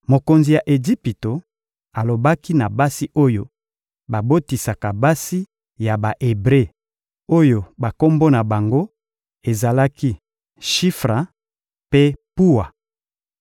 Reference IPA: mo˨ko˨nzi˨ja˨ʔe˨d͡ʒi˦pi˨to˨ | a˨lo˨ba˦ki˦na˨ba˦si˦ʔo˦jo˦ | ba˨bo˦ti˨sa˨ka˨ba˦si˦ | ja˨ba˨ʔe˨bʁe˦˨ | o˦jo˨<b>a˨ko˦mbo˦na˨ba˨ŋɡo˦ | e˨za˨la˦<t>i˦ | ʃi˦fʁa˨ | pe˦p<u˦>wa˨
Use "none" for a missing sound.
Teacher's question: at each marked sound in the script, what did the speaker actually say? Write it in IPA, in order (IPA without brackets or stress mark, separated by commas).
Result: b, k, u˦